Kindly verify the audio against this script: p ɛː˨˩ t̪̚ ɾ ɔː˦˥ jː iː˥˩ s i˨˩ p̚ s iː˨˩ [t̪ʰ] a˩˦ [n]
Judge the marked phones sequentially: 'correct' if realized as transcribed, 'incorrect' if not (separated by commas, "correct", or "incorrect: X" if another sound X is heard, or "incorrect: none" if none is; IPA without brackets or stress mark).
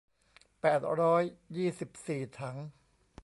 correct, incorrect: ŋ